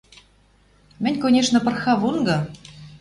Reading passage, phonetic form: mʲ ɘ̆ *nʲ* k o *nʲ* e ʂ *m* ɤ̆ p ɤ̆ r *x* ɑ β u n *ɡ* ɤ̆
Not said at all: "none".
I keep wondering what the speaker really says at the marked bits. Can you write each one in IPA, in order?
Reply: nʲ, nʲ, n, x, ɡ

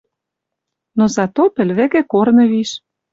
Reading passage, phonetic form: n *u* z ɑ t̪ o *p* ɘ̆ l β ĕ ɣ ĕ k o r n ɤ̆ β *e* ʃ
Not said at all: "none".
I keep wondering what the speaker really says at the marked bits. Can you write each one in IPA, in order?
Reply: o, p, i

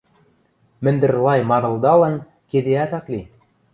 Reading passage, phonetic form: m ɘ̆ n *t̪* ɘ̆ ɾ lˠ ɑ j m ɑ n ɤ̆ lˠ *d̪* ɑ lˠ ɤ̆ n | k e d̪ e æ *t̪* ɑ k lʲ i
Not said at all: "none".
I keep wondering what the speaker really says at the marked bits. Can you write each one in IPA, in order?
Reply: d̪, d̪, t̪

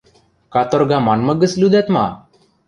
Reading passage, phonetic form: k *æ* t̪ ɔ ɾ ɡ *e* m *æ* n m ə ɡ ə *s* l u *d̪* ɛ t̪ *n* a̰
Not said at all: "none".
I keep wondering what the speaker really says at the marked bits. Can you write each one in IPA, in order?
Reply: a, a, a, s, d̪, m

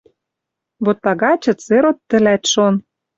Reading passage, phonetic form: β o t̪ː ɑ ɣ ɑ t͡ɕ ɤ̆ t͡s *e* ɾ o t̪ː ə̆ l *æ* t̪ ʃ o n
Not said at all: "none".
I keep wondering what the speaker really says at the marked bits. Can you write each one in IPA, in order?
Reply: e, æ

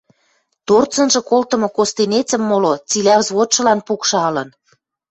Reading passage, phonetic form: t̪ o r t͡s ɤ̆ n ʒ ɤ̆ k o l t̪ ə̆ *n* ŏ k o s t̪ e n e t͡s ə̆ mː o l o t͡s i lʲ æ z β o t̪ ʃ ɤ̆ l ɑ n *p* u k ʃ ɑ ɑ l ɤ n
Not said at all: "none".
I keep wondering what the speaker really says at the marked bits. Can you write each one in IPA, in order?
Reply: m, p

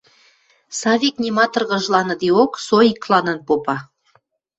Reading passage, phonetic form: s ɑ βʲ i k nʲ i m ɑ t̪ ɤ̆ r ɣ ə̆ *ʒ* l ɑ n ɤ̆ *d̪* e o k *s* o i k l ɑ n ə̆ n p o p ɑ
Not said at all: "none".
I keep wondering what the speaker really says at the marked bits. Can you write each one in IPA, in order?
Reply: ʒ, d̪, s

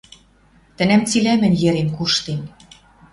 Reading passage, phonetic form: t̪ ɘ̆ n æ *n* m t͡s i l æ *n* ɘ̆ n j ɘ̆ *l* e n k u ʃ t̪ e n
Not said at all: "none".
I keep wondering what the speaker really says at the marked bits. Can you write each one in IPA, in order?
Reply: none, m, ɾ

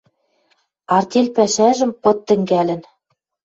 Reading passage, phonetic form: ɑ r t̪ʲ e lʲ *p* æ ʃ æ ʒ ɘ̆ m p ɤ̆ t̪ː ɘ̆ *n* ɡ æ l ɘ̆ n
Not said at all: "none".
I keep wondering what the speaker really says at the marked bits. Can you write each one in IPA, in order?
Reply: p, ŋ

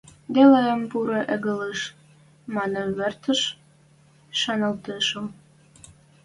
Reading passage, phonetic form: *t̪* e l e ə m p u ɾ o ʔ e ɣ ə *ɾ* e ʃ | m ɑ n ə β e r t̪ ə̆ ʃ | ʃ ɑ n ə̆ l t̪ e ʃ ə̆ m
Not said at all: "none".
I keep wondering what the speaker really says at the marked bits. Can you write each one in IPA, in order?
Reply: d̪, l

